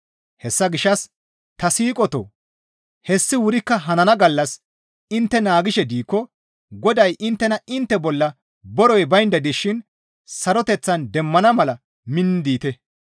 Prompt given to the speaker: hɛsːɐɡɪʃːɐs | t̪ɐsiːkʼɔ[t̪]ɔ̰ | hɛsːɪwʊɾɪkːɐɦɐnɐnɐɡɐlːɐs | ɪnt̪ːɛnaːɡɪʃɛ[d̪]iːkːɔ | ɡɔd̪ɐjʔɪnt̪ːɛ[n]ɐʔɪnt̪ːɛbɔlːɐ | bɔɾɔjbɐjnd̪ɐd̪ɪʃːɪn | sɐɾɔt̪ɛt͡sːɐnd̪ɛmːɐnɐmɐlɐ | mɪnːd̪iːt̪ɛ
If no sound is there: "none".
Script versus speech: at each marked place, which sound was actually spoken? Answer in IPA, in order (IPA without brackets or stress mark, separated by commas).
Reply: t̪, d̪, n